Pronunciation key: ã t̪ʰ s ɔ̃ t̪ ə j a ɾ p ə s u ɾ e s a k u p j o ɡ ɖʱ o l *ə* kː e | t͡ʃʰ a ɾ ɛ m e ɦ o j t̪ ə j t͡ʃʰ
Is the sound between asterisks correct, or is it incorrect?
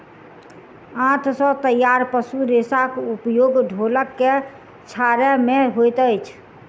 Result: correct